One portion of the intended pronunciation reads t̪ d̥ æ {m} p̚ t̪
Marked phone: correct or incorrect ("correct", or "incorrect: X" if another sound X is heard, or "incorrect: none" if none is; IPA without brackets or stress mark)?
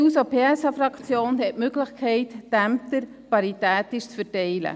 correct